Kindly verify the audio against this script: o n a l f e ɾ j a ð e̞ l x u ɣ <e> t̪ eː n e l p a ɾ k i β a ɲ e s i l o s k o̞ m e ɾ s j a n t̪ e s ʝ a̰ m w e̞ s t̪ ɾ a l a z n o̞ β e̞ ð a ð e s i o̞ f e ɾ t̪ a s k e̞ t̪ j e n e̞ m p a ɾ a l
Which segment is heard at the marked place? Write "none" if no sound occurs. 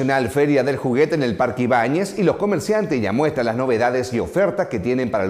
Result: e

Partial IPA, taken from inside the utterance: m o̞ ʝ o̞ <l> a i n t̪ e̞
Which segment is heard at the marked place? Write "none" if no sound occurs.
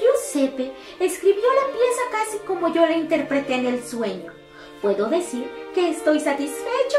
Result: l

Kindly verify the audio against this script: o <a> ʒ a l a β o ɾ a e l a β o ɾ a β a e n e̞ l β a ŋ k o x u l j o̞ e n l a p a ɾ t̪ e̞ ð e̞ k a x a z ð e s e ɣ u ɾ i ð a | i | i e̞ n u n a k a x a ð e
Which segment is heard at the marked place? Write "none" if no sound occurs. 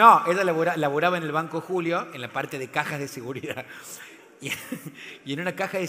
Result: e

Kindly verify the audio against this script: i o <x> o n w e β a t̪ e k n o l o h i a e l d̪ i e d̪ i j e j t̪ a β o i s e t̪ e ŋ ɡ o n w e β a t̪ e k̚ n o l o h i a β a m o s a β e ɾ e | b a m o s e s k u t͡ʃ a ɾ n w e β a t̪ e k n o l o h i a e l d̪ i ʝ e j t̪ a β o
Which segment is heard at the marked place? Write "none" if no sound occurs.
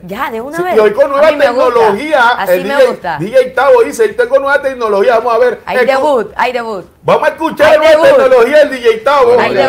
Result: k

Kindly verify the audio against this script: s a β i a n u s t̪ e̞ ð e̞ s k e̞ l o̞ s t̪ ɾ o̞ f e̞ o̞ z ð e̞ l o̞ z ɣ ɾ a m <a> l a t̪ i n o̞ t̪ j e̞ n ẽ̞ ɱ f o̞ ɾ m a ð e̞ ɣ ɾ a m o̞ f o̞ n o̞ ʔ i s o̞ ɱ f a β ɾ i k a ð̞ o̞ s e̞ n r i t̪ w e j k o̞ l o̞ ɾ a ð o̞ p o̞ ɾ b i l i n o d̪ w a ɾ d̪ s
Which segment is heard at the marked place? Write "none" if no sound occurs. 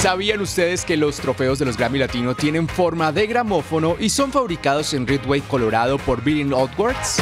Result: i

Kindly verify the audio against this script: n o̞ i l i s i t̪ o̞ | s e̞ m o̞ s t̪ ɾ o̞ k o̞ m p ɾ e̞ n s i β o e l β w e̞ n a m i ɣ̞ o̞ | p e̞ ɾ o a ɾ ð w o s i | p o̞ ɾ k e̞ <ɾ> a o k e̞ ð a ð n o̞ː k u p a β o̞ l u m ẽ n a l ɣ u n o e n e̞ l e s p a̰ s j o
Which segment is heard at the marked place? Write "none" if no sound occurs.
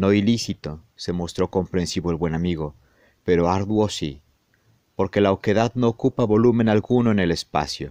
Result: l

